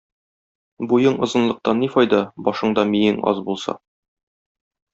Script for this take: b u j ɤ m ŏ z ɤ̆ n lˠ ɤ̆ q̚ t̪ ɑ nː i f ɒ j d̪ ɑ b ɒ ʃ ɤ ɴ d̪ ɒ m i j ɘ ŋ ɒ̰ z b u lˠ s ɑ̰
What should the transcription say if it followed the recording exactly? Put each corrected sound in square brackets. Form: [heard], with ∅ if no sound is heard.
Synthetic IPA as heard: b u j ɤ [ɴ] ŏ z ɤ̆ n lˠ ɤ̆ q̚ t̪ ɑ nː i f ɒ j d̪ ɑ b ɒ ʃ ɤ ɴ d̪ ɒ m i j ɘ ŋ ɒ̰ z b u lˠ s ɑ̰

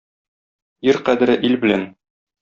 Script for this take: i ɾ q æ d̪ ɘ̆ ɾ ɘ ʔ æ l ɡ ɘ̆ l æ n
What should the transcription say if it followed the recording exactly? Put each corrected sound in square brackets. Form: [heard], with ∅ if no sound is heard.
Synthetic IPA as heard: i ɾ q æ d̪ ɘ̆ ɾ ɘ ʔ [i] l [b] ɘ̆ l æ n

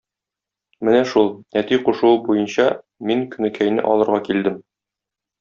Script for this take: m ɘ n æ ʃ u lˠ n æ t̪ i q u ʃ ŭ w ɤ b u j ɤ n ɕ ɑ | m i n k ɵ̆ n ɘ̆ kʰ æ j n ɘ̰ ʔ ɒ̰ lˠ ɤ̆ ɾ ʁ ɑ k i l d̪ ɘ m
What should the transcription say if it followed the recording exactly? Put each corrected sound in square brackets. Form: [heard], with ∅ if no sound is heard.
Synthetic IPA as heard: m ɘ n æ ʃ u lˠ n æ t̪ i q u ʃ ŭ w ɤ b u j ɤ n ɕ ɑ | m i [ŋ] k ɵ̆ n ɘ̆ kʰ æ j n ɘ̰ ʔ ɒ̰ lˠ ɤ̆ ɾ ʁ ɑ k i l d̪ ɘ m

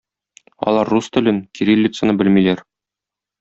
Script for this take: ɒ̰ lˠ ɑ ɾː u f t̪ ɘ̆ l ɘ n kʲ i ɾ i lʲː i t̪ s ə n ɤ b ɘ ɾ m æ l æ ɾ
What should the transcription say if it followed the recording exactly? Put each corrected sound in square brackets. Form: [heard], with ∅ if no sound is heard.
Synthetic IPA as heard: ɒ̰ lˠ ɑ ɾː u [s] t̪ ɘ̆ l ɘ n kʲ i ɾ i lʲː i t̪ s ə n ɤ b ɘ [l] m [i] l æ ɾ

